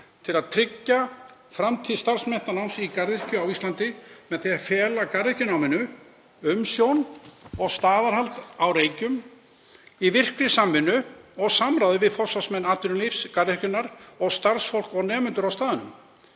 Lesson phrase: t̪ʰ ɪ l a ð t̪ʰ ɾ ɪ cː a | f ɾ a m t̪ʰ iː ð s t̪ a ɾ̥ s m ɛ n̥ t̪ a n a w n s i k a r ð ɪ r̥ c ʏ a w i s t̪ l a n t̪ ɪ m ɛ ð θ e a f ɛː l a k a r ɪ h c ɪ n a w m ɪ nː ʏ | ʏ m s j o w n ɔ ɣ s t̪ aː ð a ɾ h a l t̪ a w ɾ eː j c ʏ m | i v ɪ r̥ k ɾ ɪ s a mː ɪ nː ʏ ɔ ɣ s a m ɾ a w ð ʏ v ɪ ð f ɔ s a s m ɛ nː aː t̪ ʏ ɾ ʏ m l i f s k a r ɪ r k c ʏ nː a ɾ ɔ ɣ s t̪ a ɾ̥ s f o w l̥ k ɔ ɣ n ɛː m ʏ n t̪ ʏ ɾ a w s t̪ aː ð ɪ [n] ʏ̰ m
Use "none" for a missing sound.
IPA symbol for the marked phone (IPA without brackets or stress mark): n